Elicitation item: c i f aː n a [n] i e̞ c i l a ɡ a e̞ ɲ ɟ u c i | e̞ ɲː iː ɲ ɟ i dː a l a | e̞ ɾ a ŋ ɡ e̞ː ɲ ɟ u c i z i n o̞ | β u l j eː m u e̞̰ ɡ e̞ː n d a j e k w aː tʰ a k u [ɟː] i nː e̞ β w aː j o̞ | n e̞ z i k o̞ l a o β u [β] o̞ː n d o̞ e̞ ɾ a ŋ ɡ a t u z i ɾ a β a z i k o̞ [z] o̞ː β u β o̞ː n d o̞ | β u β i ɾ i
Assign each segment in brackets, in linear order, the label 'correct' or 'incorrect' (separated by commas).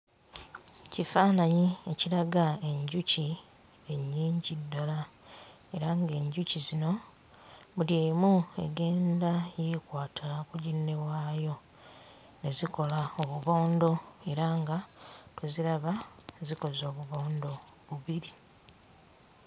incorrect, incorrect, correct, correct